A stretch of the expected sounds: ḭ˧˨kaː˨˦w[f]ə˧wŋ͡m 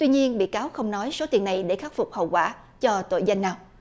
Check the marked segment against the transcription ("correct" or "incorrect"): incorrect